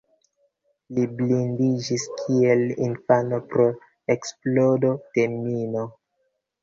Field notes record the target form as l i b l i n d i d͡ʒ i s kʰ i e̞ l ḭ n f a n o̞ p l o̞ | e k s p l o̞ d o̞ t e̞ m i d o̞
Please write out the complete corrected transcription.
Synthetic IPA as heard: l i b l i n d i d͡ʒ i s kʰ i e̞ l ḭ n f a n o̞ p ɾ o̞ | e k s p l o̞ d o̞ t e̞ m i n o̞

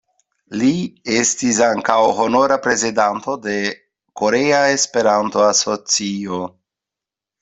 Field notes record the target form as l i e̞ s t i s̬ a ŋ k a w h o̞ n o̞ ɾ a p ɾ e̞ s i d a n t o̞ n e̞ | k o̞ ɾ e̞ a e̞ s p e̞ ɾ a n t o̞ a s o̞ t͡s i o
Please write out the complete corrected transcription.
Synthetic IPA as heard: l i e̞ s t i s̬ a ŋ k a w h o̞ n o̞ ɾ a p ɾ e̞ z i d a n t o̞ d e̞ | k o̞ ɾ e̞ a e̞ s p e̞ ɾ a n t o̞ a s o̞ t͡s i o

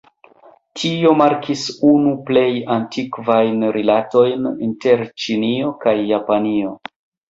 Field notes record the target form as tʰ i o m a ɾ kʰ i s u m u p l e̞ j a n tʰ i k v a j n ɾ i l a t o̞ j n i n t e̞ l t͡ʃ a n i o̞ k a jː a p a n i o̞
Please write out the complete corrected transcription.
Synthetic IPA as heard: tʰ i o m a ɾ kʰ i s u n u p l e̞ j a n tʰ i k v a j n ɾ i l a t o̞ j n i n t e̞ ɾ t͡ʃ i n i o̞ k a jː a p a n i o̞

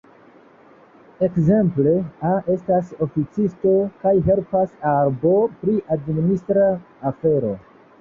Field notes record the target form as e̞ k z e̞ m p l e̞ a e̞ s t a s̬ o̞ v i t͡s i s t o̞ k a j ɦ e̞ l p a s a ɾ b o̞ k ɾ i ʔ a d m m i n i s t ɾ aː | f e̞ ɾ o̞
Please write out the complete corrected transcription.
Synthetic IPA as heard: e̞ k z e̞ m p l e̞ a e̞ s t a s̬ o̞ f i t͡s i s t o̞ k a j ɦ e̞ l p a s a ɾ b o̞ p ɾ i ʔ a d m m i n i s t ɾ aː | f e̞ ɾ o̞

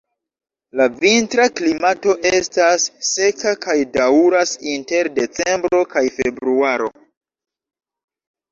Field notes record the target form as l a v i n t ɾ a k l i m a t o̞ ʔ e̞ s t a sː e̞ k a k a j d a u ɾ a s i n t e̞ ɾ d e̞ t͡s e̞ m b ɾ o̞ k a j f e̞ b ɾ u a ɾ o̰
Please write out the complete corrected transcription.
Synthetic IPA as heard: l a v i n t ɾ a k l i m a t o̞ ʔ e̞ s t a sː e̞ k a k a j d a u ɾ a s i n t e̞ ɾ d e̞ t͡s e̞ m b ɾ o̞ k a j f e̞ b ɾ u a ɾ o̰

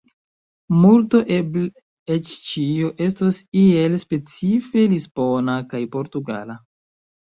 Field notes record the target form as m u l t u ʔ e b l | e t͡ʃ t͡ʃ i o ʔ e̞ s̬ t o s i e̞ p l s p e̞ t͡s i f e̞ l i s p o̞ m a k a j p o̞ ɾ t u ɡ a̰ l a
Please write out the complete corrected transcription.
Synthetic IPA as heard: m u l t o ʔ e b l | e t͡ʃ t͡ʃ i o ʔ e̞ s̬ t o s i e̞ l s p e̞ t͡s i f e̞ l i s p o̞ n a k a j p o̞ ɾ t u ɡ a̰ l a

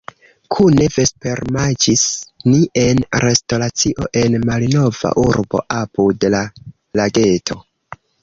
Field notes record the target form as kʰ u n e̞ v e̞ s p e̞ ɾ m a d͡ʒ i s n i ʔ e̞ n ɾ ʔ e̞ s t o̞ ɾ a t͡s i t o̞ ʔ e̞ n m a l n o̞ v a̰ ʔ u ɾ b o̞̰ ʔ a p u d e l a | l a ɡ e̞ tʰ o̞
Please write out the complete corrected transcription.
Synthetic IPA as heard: kʰ u n e̞ v e̞ s p e̞ ɾ m a d͡ʒ i s n i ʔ e̞ n ɾ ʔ e̞ s t o̞ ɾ a t͡s i ʔ o̞ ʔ e̞ n m a l n o̞ v a̰ ʔ u ɾ b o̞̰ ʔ a p u d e l a | l a ɡ e̞ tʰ o̞

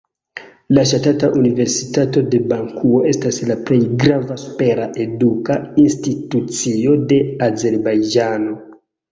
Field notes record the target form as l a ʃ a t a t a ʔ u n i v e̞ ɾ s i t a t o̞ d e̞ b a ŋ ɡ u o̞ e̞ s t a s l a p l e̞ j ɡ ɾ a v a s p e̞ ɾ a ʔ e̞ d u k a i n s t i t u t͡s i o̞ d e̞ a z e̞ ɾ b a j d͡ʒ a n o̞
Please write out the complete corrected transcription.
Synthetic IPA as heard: l a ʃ a t a t a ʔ u n i v e̞ ɾ s i t a t o̞ d e̞ b a ŋ k u o̞ e̞ s t a s l a p l e̞ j ɡ ɾ a v a s p e̞ ɾ a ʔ e̞ d u k a i n s t i t u t͡s i o̞ d e̞ a z e̞ ɾ b a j d͡ʒ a n o̞

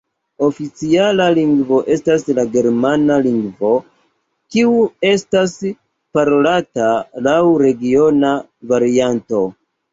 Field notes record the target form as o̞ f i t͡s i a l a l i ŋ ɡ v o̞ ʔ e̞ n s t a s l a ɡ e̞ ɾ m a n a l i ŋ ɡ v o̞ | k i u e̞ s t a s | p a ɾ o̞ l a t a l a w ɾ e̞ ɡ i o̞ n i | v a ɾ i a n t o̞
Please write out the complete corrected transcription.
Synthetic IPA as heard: o̞ f i t͡s i a l a l i ŋ ɡ v o̞ ʔ e̞ s t a s l a ɡ e̞ ɾ m a n a l i ŋ ɡ v o̞ | k i u e̞ s t a s | p a ɾ o̞ l a t a l a w ɾ e̞ ɡ i o̞ n a | v a ɾ i a n t o̞

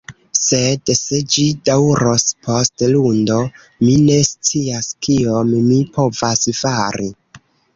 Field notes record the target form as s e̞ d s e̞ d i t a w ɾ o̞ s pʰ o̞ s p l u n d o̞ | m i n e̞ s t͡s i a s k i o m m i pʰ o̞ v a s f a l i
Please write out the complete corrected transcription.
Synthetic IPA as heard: s e̞ d s e̞ d͡ʒ i d a w ɾ o̞ s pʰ o̞ s t l u n d o̞ | m i n e̞ s t͡s i a s k i o m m i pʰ o̞ v a s f a ɾ i

